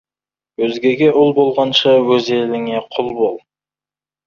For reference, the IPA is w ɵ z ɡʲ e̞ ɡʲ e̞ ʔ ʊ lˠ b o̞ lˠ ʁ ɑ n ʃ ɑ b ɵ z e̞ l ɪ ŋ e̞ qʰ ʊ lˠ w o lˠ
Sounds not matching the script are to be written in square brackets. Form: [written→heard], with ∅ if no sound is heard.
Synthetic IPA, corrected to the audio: w ɵ z ɡʲ e̞ ɡʲ e̞ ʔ ʊ lˠ b o̞ lˠ ʁ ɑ n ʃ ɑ [b→w] ɵ z e̞ l ɪ ŋ e̞ qʰ ʊ lˠ [w→b] o lˠ